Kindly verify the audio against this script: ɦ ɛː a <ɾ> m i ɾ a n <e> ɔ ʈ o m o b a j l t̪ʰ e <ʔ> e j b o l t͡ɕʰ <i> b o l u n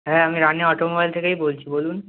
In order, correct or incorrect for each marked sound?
incorrect, correct, incorrect, correct

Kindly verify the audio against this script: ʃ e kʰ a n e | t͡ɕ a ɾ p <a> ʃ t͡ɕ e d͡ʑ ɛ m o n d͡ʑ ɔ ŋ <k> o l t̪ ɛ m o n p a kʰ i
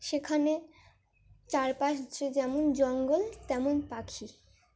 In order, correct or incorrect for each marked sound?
correct, incorrect

